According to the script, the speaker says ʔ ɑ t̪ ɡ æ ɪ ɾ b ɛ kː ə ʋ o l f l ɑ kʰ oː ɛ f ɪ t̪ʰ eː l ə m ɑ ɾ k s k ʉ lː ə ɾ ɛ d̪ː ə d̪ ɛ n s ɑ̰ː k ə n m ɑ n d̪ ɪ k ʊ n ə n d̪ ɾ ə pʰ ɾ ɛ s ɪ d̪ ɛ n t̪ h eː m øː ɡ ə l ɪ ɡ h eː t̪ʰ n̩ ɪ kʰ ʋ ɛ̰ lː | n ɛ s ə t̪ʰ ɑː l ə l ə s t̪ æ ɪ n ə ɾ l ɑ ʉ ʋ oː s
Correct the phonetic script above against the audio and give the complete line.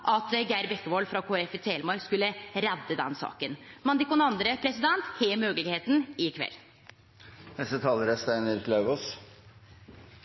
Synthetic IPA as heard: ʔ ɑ t̪ ɡ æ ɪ ɾ b ɛ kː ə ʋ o l f ɾ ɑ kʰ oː ɛ f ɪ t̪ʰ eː l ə m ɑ ɾ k s k ʉ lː ə ɾ ɛ d̪ː ə d̪ ɛ n s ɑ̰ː k ə n m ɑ n d̪ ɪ k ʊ n ɑ n d̪ ɾ ə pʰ ɾ ɛ s ɪ d̪ ɛ n t̪ h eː m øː ɡ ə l ɪ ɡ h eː t̪ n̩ ɪ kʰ ʋ ɛ̰ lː | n ɛ s ə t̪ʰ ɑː l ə ɾ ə s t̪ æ ɪ n ə ɾ l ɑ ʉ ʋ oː s